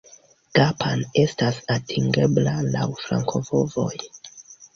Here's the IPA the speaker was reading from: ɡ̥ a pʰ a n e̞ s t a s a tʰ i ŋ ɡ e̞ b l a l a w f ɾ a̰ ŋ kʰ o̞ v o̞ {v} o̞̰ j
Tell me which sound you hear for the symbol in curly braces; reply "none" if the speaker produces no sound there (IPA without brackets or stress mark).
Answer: v